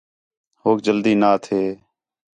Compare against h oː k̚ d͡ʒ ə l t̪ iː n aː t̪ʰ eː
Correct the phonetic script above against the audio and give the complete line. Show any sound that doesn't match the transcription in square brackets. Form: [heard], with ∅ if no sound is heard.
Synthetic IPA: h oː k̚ d͡ʒ ə l [d̪] iː n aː t̪ʰ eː